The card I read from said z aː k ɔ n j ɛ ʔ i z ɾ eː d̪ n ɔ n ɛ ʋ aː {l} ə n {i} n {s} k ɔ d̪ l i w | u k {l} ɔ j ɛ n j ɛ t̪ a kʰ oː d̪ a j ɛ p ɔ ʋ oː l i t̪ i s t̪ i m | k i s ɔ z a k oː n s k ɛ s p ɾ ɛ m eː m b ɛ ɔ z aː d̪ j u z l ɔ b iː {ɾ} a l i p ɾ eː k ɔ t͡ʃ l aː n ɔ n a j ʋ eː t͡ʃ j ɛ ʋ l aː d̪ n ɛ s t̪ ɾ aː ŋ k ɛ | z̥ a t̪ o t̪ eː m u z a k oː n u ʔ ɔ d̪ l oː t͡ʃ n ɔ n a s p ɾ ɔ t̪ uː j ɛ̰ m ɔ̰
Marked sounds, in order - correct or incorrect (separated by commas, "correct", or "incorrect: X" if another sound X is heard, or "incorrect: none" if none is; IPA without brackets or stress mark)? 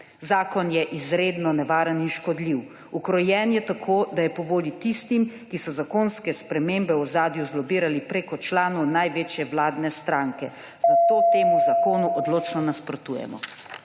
incorrect: ɾ, correct, incorrect: ʃ, incorrect: ɾ, correct